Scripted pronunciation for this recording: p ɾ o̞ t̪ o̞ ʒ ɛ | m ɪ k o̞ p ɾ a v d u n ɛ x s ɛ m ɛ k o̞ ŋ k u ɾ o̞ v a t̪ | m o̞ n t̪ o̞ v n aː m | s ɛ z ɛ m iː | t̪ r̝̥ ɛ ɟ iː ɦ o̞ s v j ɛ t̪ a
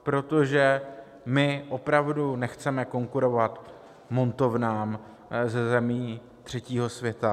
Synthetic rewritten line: p ɾ o̞ t̪ o̞ ʒ ɛ | m ɪ ʔ o̞ p ɾ a v d u n ɛ x t͡s ɛ m ɛ k o̞ ŋ k u ɾ o̞ v a t̪ | m o̞ n t̪ o̞ v n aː m | z ɛ z ɛ m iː | t̪ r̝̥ ɛ c iː ɦ o̞ s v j ɛ t̪ a

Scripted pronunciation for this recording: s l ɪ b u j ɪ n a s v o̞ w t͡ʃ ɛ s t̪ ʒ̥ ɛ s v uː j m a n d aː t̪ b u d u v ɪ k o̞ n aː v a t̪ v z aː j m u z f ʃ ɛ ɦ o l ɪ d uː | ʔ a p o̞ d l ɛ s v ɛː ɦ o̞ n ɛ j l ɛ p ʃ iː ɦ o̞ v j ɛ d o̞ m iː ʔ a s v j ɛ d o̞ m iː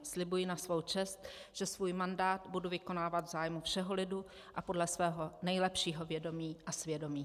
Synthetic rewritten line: s l ɪ b u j ɪ n a s v o̞ w t͡ʃ ɛ s t̪ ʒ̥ ɛ s v uː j m a n d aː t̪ b u d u v ɪ k o̞ n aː v a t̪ v z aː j m u f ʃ ɛ ɦ o l ɪ d u | ʔ a p o̞ d l ɛ s v ɛː ɦ o̞ n ɛ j l ɛ p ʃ iː ɦ o̞ v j ɛ d o̞ m iː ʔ a s v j ɛ d o̞ m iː

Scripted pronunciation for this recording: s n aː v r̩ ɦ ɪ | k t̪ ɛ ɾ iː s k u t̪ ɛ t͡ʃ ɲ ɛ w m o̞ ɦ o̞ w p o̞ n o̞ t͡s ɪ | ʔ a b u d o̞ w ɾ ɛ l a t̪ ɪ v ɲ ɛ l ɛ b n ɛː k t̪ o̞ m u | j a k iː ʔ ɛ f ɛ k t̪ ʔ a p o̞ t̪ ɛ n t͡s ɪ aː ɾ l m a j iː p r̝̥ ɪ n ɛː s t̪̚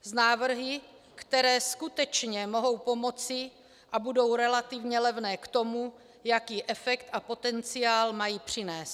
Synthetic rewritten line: z n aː v r̩ ɦ ɪ | k t̪ ɛ ɾ ɛː s k u t̪ ɛ t͡ʃ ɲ ɛ m o̞ ɦ o̞ w p o̞ m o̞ t͡s ɪ | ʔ a b u d o̞ w ɾ ɛ l a t̪ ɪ v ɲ ɛ l ɛ v n ɛː k t̪ o̞ m u | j a k iː ʔ ɛ f ɛ k t̪ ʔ a p o̞ t̪ ɛ n t͡s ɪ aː l m a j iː p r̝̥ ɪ n ɛː s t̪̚

